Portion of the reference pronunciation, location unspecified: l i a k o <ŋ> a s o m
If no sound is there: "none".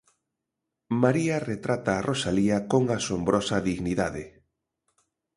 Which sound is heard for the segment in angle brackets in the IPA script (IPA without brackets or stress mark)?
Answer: ŋ